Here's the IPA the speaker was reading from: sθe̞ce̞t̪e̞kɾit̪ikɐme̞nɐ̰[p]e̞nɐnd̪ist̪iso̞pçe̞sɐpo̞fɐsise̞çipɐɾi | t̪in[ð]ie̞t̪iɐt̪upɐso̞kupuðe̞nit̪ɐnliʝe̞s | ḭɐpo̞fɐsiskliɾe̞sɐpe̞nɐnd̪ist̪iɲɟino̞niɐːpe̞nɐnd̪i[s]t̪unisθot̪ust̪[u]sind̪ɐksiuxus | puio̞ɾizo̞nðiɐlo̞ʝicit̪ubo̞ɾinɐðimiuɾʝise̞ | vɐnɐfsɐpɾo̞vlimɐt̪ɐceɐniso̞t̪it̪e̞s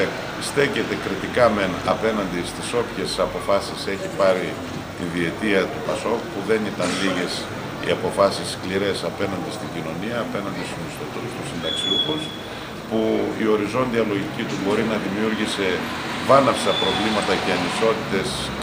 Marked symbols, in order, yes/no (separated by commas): yes, yes, yes, yes